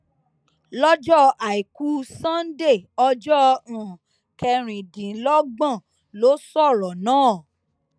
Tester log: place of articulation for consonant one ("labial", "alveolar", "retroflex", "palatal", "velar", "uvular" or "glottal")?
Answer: alveolar